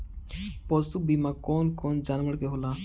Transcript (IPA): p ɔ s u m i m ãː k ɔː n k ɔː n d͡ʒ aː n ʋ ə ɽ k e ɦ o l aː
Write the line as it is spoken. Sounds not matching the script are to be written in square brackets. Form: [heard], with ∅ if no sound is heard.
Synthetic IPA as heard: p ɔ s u [b] i m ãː k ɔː n k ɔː n d͡ʒ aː n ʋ ə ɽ k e ɦ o l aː